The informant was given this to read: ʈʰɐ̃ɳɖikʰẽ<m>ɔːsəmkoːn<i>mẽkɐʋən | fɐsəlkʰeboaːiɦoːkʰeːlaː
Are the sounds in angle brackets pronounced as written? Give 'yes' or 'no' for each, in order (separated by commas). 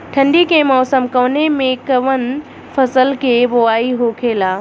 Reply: yes, no